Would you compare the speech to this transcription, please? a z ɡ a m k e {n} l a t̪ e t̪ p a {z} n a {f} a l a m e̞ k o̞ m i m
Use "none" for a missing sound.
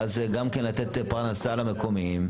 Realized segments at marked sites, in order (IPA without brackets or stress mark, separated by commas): n, ʁ, s